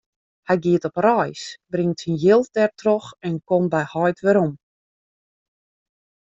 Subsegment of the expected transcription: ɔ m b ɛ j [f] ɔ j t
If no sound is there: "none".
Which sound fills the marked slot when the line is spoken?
h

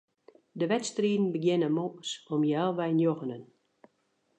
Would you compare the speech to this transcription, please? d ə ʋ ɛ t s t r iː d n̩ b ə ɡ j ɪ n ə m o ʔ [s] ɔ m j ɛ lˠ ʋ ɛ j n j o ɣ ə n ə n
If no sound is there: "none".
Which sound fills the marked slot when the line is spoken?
s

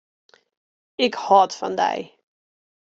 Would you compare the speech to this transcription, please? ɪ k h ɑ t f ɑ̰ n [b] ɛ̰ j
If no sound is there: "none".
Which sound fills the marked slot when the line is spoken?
d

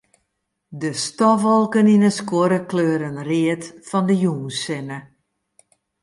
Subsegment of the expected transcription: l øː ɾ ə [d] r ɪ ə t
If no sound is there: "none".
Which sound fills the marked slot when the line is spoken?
n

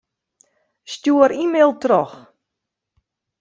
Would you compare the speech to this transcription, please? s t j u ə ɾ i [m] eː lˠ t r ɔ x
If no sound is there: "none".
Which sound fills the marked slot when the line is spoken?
m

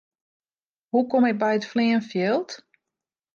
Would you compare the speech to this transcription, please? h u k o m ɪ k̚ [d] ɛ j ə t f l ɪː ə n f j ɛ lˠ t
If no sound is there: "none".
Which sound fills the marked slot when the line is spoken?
b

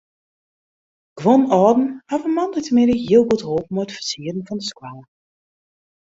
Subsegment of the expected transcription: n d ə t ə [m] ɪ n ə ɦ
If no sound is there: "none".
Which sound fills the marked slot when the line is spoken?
m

